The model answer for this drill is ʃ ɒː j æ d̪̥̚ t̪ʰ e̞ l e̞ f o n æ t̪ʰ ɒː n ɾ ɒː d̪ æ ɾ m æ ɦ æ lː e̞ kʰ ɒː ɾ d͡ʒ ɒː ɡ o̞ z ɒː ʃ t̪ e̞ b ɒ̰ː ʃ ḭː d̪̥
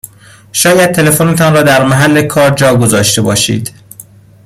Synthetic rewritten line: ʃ ɒː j æ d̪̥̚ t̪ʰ e̞ l e̞ f o n e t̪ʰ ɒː n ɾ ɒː d̪ æ ɾ m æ ɦ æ lː e̞ kʰ ɒː ɾ d͡ʒ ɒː ɡ o̞ z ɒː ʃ t̪ e̞ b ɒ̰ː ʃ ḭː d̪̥